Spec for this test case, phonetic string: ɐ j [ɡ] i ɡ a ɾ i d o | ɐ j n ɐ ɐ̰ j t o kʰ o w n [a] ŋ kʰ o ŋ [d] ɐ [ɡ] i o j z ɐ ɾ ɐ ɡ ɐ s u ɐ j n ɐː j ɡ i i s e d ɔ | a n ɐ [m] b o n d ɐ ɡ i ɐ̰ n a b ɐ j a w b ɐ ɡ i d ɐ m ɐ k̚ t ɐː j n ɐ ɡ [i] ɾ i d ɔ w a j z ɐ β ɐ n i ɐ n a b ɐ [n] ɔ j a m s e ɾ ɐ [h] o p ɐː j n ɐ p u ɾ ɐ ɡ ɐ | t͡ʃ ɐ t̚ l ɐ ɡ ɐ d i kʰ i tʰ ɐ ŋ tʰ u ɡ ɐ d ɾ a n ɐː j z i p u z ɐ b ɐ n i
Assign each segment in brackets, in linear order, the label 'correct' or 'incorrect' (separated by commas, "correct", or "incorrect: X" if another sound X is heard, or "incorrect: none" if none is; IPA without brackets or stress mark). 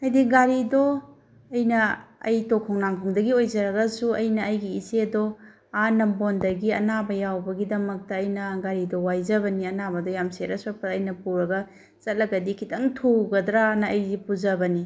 incorrect: d, correct, correct, correct, correct, incorrect: a, incorrect: d, incorrect: s